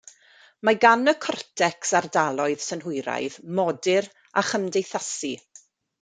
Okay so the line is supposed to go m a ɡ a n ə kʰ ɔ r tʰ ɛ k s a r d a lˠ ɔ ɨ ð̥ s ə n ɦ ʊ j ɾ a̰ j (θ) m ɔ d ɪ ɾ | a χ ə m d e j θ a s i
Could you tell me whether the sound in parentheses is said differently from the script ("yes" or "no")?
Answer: yes